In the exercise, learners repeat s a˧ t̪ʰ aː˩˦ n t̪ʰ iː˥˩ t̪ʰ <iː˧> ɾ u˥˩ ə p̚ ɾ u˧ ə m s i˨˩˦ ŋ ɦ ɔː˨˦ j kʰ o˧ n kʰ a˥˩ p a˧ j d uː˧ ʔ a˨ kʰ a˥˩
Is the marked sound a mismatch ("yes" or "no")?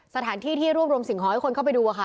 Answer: yes